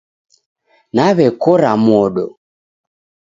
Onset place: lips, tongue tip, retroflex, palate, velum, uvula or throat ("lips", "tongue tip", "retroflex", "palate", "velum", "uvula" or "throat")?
tongue tip